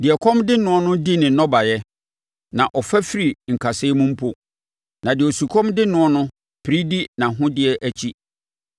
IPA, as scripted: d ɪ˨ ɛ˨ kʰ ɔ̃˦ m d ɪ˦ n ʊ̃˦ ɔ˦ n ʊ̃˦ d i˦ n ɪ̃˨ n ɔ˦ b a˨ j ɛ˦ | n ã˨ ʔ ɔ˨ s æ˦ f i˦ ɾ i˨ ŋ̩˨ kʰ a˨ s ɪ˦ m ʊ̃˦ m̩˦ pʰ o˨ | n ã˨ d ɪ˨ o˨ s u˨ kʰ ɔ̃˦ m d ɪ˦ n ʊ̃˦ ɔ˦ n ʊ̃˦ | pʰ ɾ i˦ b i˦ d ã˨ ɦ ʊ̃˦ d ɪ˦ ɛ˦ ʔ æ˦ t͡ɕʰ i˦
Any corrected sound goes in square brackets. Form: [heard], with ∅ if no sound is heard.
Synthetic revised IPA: d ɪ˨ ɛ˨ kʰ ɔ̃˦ m d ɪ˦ n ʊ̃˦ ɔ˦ n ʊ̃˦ d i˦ n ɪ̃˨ n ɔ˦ b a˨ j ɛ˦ | n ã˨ ʔ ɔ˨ [f] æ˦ f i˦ ɾ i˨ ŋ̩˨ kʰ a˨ s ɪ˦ m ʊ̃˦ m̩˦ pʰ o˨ | n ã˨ d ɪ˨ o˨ s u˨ kʰ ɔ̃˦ m d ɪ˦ n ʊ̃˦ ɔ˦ n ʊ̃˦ | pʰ ɾ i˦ [d] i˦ [n] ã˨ ɦ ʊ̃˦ d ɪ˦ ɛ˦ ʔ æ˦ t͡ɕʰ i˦